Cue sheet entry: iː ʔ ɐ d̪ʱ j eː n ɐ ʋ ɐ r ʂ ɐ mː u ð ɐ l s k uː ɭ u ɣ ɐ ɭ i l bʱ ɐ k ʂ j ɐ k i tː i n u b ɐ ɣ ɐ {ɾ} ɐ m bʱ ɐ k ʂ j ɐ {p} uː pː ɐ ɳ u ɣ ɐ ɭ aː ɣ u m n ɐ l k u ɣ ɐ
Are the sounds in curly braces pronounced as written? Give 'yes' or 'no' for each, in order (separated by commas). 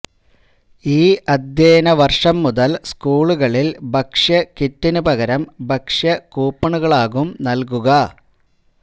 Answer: yes, no